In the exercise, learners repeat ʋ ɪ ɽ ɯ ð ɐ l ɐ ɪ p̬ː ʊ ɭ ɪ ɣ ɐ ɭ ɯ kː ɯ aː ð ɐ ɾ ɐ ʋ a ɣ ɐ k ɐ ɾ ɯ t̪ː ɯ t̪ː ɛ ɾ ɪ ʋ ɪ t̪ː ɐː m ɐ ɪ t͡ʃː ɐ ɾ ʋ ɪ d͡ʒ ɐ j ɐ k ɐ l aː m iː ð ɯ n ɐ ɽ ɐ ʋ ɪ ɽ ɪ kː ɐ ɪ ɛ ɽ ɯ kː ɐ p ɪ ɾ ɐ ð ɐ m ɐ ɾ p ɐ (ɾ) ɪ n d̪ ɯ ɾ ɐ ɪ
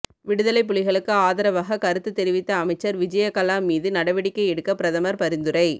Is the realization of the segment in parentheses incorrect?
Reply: no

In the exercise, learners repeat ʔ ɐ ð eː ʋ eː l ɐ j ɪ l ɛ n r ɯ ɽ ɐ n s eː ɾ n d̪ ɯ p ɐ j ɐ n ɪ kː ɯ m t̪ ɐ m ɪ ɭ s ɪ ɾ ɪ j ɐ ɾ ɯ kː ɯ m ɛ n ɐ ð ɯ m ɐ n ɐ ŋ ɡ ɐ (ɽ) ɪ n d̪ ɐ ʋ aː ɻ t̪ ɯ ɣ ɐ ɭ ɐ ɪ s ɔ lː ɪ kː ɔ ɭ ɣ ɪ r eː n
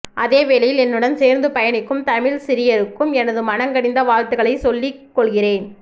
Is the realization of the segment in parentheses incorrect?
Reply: no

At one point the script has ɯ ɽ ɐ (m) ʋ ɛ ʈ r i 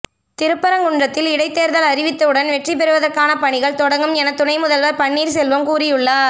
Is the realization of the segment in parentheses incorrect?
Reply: yes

